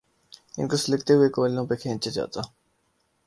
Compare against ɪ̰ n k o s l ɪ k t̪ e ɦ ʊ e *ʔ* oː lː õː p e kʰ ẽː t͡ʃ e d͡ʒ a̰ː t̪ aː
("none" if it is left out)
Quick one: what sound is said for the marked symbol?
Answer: k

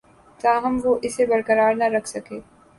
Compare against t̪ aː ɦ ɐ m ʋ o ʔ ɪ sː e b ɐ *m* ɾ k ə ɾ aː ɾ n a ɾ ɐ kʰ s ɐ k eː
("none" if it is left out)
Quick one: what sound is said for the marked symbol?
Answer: none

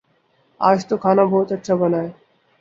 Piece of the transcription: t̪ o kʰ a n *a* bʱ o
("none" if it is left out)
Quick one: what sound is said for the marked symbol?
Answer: a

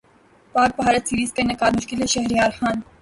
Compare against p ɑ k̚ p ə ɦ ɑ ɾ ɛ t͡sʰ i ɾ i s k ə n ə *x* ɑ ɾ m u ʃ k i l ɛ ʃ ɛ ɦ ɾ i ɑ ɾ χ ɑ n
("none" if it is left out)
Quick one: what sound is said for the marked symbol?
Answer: k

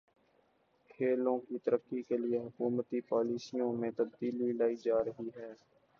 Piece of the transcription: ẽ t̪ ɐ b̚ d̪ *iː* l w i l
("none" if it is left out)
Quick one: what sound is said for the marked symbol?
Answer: iː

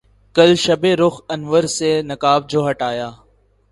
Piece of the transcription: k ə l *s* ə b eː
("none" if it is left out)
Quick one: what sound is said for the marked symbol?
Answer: ʃ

